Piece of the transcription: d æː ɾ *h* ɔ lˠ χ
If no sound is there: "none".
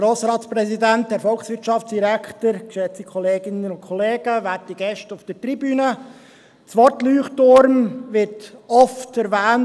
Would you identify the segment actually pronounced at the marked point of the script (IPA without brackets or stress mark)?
f